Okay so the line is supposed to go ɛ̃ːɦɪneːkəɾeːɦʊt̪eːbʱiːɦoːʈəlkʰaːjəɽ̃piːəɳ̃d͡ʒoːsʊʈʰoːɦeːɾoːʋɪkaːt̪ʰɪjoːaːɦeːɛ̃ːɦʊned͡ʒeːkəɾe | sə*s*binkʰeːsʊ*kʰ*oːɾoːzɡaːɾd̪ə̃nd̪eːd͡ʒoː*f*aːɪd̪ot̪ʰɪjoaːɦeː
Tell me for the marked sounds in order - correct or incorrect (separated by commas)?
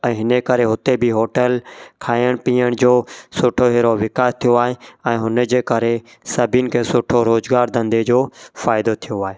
incorrect, incorrect, correct